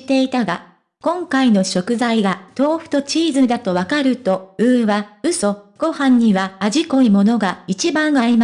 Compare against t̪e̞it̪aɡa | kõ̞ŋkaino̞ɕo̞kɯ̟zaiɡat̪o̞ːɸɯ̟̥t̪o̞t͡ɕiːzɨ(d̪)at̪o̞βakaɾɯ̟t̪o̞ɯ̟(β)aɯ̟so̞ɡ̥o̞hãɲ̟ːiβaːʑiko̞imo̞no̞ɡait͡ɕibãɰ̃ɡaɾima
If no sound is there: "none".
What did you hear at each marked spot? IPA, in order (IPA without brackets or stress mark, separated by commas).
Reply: d̪, β